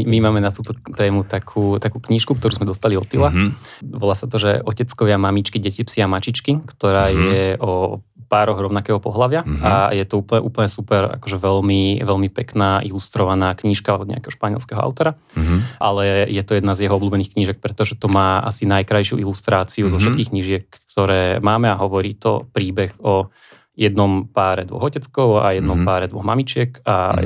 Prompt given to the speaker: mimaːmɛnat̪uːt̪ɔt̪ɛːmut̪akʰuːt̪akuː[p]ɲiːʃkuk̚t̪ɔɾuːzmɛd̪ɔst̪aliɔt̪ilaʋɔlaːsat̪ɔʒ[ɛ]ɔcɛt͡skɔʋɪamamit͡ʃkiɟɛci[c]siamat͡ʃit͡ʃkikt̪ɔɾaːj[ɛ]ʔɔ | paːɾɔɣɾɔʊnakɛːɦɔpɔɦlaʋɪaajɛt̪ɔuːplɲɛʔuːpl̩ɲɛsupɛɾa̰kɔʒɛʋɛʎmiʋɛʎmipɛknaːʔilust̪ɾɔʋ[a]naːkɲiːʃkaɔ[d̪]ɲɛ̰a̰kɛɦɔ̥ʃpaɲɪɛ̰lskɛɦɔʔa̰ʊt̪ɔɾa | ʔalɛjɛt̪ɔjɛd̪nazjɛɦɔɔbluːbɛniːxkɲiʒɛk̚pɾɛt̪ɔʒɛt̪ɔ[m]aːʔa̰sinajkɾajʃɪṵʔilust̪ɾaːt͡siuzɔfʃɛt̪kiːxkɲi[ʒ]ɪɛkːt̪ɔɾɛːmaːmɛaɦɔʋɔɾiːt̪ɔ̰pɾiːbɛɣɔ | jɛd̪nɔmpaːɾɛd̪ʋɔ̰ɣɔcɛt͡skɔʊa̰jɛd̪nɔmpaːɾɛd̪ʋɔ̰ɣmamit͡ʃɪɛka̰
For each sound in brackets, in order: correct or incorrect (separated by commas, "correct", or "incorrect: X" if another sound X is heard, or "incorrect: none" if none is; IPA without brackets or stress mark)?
incorrect: k, correct, incorrect: p, correct, correct, correct, correct, correct